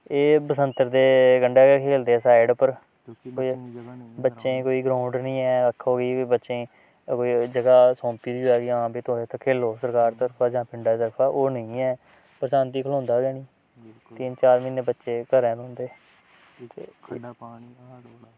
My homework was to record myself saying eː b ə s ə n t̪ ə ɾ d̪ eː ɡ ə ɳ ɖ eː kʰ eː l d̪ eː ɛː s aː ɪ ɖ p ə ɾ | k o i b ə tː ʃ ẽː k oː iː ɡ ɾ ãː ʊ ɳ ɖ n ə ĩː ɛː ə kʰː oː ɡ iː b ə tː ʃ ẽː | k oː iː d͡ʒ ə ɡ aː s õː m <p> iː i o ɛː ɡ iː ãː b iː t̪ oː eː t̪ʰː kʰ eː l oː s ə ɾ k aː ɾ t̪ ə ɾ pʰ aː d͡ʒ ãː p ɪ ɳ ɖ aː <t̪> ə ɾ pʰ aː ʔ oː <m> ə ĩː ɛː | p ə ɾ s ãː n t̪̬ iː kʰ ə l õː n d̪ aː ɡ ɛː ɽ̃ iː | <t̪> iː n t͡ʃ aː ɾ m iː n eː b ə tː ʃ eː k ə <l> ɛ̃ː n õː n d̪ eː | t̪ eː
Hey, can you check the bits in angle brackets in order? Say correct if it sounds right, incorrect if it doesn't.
correct, correct, incorrect, correct, incorrect

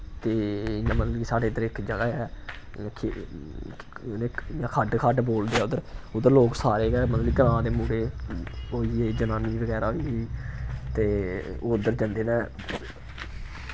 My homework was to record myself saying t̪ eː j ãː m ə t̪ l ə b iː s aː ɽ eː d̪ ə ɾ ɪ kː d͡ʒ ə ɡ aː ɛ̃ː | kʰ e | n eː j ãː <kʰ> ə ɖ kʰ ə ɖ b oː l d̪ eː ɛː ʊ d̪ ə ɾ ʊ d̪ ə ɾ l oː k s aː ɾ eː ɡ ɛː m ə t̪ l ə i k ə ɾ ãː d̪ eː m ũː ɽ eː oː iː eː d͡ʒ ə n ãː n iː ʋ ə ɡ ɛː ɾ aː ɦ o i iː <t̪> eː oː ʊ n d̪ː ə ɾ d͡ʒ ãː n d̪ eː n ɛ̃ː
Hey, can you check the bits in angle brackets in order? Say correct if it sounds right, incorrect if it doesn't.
correct, correct

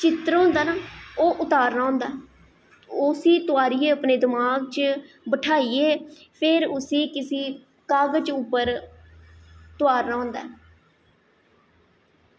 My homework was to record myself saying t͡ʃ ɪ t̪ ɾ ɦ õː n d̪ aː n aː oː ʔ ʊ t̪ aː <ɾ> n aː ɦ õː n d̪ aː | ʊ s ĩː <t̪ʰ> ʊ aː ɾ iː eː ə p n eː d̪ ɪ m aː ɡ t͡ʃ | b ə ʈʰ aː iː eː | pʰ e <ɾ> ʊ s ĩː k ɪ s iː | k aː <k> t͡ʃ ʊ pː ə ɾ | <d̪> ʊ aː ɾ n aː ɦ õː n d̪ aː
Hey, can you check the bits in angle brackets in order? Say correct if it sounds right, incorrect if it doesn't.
correct, incorrect, correct, incorrect, incorrect

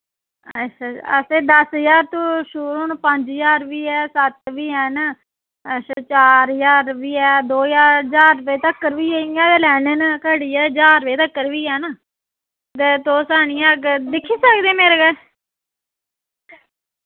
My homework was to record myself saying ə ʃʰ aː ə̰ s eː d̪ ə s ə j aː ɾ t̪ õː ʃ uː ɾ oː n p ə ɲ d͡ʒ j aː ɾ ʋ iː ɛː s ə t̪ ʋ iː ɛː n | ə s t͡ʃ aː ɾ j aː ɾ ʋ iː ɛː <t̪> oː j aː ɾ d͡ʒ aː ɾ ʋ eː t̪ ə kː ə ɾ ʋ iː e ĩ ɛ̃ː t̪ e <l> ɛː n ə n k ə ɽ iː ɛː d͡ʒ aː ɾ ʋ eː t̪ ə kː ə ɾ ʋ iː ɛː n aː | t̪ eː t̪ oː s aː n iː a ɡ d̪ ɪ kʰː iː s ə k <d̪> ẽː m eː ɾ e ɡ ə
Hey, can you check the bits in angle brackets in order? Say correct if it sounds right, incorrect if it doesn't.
incorrect, correct, correct

